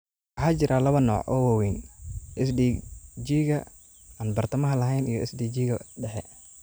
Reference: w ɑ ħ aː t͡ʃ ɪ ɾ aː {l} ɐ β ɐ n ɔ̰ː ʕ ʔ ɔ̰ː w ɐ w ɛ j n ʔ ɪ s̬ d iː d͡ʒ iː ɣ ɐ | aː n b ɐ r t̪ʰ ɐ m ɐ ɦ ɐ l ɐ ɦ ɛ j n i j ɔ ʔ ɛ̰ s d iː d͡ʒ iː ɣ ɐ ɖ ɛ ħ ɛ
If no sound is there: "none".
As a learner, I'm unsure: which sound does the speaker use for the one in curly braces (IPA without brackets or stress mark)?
l